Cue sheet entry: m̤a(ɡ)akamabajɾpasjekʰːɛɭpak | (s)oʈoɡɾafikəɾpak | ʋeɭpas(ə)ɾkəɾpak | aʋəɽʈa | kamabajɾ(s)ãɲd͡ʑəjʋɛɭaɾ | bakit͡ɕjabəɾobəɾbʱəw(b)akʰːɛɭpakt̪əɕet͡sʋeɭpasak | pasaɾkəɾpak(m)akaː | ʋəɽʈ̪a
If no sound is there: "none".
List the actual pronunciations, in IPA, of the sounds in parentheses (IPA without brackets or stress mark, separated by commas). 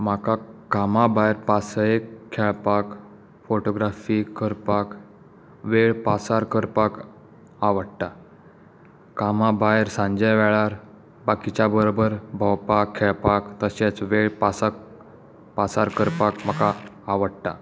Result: k, f, a, s, p, m